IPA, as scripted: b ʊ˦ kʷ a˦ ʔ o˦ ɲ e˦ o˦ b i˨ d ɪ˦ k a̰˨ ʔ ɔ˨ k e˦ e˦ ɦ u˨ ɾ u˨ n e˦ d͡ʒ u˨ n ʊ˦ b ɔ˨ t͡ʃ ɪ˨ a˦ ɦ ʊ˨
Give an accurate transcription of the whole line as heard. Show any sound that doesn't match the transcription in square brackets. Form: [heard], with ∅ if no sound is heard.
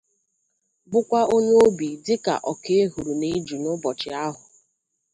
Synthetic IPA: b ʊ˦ kʷ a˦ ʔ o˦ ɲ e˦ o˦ b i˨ d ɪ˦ k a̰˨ ʔ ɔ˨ k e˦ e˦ ɦ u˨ ɾ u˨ n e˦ d͡ʒ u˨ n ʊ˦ b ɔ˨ t͡ʃ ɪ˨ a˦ ɦ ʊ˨